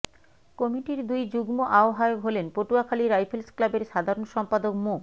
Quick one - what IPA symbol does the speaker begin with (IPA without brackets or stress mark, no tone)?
k